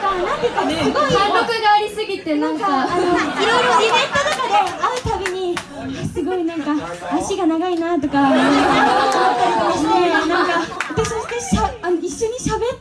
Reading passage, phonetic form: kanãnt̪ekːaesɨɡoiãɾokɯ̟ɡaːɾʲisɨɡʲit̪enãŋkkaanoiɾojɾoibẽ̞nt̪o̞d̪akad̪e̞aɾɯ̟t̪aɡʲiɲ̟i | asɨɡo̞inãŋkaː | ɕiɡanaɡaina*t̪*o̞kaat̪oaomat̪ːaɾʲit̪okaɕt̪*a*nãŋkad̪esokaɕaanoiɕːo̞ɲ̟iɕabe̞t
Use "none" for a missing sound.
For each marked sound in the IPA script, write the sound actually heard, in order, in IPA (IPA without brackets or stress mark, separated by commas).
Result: t̪, e